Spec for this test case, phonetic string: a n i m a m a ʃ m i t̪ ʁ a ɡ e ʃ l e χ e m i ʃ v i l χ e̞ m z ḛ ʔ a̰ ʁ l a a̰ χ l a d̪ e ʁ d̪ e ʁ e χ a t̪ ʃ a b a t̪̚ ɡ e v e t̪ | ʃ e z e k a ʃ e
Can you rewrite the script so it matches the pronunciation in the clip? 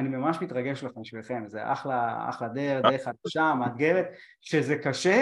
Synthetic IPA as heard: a n i m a m a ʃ m i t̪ ʁ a ɡ e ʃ l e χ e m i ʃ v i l χ e̞ m z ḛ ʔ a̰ χ l a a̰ χ l a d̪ e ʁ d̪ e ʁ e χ a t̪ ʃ a m a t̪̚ ɡ e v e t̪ | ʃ e z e k a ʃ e